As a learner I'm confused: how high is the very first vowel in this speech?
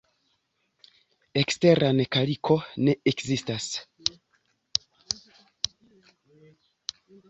mid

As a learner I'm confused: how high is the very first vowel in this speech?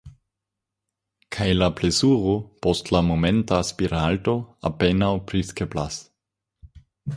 low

